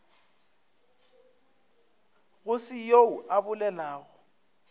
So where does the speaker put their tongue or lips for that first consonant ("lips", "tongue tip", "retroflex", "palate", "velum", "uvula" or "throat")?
velum